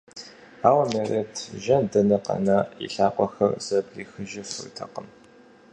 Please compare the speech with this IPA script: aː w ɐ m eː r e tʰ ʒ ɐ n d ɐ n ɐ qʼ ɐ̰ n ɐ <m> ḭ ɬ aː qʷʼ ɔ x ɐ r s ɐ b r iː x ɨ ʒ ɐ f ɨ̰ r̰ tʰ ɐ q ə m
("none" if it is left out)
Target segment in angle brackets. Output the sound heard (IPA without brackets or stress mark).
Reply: none